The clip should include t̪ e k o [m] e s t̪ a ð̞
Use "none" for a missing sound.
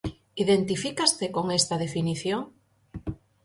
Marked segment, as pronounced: ŋ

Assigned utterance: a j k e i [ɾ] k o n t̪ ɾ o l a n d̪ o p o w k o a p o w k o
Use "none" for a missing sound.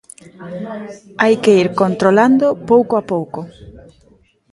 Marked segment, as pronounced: ɾ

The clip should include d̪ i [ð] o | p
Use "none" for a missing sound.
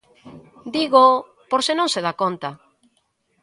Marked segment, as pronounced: ɣ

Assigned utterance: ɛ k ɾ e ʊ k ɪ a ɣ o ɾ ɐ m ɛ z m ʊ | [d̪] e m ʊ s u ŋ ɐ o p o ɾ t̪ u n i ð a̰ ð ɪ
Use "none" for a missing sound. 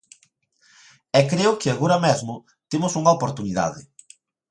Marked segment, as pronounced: t̪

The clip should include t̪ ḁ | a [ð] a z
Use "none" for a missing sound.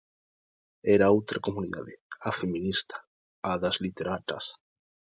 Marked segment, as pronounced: ð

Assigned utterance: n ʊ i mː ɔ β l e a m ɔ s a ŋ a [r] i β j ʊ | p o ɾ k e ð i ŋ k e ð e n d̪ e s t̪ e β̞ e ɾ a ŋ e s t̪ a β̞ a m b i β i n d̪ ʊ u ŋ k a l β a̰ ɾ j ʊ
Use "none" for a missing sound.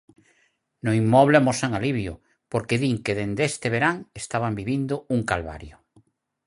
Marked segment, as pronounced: l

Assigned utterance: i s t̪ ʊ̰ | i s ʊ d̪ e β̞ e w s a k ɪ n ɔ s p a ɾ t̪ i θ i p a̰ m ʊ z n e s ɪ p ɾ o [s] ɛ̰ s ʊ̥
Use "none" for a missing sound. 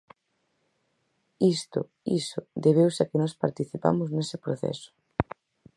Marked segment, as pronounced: θ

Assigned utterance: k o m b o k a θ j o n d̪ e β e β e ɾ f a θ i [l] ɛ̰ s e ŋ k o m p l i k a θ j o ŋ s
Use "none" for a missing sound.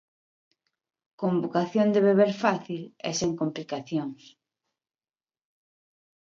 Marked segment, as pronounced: l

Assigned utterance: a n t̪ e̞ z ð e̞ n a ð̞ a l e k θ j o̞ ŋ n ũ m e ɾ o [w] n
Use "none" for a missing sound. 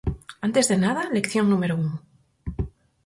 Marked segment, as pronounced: u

